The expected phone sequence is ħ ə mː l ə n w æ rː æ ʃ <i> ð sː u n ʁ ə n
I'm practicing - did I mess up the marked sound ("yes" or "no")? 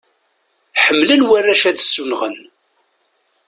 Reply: yes